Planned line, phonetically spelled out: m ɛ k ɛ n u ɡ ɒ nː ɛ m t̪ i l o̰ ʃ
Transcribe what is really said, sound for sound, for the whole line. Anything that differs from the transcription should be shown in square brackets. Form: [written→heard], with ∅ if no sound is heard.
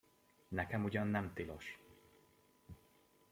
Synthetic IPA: [m→n] ɛ k ɛ [n→m] u [ɡ→ɟ] ɒ nː ɛ m t̪ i l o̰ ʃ